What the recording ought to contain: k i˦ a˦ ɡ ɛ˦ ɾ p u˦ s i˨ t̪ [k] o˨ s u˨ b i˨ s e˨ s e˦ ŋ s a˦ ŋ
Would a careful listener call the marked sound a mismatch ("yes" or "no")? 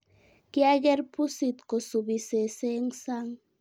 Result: no